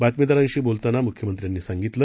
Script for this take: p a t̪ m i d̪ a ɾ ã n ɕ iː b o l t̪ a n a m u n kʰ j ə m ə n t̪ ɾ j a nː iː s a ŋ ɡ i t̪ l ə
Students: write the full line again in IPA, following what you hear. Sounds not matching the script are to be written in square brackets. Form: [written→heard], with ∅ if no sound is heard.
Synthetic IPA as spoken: [p→b] a t̪ m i d̪ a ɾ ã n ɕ iː b o l t̪ a n a m u [n→∅] kʰ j ə m ə n t̪ ɾ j a nː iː s a ŋ ɡ i t̪ l ə

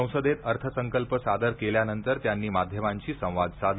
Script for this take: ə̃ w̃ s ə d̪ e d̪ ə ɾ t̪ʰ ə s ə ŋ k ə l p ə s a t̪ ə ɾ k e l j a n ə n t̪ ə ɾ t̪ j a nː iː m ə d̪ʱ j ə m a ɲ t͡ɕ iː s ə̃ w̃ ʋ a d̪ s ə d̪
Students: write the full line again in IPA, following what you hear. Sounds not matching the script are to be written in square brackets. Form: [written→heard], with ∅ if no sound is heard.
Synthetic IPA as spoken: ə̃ w̃ s ə d̪ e [d̪→t̪] ə ɾ t̪ʰ ə s ə ŋ k ə l p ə s a [t̪→d̪] ə ɾ k e l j a n ə n t̪ ə ɾ t̪ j a nː iː m [ə→a] d̪ʱ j ə m a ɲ t͡ɕ iː s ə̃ w̃ ʋ a d̪ s [ə→a] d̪

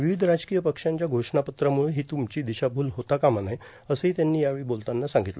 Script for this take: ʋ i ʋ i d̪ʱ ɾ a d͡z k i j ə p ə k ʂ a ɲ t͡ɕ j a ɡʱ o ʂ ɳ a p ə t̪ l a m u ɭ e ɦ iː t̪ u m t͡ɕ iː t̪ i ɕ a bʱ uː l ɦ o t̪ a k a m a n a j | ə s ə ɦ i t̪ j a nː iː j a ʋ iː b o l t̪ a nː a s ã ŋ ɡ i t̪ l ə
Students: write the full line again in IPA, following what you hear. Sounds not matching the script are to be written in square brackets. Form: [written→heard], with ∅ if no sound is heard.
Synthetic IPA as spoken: ʋ i ʋ i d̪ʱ ɾ a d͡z k i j ə p ə k ʂ a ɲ t͡ɕ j a ɡʱ o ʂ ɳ a p ə t̪ [l→ɾ] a m u ɭ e ɦ iː t̪ u m t͡ɕ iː [t̪→d̪] i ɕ a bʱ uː l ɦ o t̪ a k a m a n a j | ə s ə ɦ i t̪ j a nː iː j a ʋ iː b o l t̪ a nː a s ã ŋ ɡ i t̪ l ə

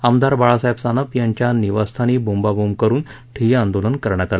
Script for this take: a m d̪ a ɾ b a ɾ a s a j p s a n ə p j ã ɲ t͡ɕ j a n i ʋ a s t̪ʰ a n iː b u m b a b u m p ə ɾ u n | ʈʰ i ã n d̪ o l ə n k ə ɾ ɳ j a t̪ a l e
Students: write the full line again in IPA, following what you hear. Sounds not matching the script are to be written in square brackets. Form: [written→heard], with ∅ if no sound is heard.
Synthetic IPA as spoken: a m d̪ a ɾ b a [ɾ→ɭ] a s a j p s a n ə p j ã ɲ t͡ɕ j a n i ʋ a s t̪ʰ a n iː b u m b a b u m [p→k] ə ɾ [u→uː] n | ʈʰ i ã n d̪ o l ə n k ə ɾ ɳ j a t̪ a l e

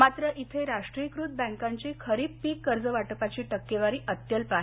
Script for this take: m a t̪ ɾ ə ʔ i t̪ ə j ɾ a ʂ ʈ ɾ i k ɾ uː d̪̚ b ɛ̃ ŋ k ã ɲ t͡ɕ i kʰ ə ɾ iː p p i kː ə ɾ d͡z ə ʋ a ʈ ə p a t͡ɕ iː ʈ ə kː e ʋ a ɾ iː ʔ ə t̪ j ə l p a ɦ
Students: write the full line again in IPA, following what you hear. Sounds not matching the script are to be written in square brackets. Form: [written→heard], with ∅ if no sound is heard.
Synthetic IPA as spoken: m a t̪ ɾ ə ʔ i [t̪→t̪ʰ] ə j ɾ a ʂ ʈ ɾ i k ɾ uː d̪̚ b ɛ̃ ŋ k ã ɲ t͡ɕ i kʰ ə ɾ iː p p i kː ə ɾ d͡z ə ʋ a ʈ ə p a t͡ɕ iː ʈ ə kː e ʋ a ɾ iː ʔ ə t̪ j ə l p a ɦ

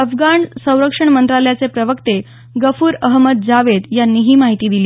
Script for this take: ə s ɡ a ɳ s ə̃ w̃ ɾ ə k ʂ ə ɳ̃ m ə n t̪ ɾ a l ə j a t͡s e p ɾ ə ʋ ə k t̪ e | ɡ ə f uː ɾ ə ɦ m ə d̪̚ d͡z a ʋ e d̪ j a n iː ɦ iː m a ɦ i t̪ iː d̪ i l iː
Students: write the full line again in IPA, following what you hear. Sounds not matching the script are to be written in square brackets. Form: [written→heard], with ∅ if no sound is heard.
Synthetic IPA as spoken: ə [s→f] ɡ a ɳ s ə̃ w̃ ɾ ə k ʂ ə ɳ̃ m ə n t̪ ɾ a l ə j a t͡s e p ɾ ə ʋ ə k t̪ e | ɡ ə f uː ɾ ə ɦ m ə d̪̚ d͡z a ʋ e d̪ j a [n→nː] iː ɦ iː m a ɦ i t̪ iː d̪ i l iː

